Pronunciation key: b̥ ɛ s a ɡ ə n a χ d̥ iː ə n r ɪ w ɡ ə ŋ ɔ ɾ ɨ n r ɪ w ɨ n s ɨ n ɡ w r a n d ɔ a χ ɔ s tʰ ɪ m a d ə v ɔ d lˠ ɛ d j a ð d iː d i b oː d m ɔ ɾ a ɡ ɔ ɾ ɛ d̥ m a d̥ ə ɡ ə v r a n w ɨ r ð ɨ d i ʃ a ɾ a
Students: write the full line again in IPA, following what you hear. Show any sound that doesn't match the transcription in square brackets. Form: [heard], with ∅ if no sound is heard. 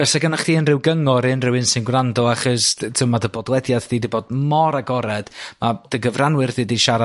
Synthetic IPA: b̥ ɛ s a ɡ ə n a χ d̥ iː ə n r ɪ w ɡ ə ŋ ɔ ɾ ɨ n r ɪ w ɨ n s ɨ n ɡ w r a n d ɔ a χ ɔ s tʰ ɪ m a d ə [b] ɔ d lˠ ɛ d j a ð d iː d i b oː d m ɔ ɾ a ɡ ɔ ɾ ɛ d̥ m a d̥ ə ɡ ə v r a n w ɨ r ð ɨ d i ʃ a ɾ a